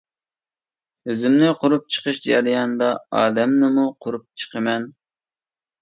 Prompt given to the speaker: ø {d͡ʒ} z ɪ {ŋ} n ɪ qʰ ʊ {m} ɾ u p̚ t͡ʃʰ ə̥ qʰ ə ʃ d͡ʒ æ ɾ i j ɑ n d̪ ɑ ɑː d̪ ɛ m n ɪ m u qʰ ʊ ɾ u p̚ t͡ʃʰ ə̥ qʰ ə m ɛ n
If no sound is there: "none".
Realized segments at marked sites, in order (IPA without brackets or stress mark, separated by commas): none, m, none